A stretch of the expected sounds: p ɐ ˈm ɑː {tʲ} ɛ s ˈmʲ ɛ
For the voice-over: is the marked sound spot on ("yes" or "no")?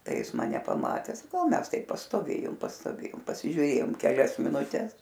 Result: yes